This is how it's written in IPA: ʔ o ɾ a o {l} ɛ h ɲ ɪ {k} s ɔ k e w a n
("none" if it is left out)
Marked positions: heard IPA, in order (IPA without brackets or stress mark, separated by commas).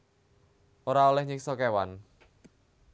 l, k